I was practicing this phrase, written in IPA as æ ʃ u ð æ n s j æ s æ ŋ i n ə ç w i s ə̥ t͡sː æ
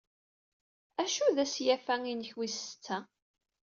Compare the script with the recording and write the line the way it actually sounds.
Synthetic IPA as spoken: æ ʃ u ð æ s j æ f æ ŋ i n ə ç w i s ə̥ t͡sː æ